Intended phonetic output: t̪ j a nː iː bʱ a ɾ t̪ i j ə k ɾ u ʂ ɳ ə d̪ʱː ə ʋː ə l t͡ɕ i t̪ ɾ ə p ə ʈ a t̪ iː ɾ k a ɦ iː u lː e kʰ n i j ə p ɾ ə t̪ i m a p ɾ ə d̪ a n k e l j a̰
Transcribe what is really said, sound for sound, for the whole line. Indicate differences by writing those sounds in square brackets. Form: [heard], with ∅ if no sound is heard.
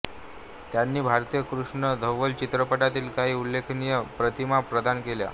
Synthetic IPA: t̪ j a nː iː bʱ a ɾ t̪ i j ə k ɾ u ʂ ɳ ə [d̪ʱ] ə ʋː ə l t͡ɕ i t̪ ɾ ə p ə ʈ a t̪ iː [l] k a ɦ iː u lː e kʰ n i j ə p ɾ ə t̪ i m a p ɾ ə d̪ a n k e l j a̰